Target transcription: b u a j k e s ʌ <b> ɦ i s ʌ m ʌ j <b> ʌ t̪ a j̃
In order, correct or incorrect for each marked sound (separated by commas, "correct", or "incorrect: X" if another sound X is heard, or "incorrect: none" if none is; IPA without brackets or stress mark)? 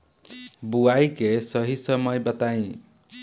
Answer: incorrect: none, correct